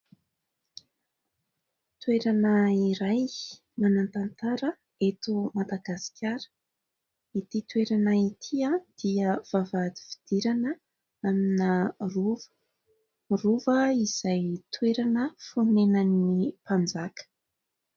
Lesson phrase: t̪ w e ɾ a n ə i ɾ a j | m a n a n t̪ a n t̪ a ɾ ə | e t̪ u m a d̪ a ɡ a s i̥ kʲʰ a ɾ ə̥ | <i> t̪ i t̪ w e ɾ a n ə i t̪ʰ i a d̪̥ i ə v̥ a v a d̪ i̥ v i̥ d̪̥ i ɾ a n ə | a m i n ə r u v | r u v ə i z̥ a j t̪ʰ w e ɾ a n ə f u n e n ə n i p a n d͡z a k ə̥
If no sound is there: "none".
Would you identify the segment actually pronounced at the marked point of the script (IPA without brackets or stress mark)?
i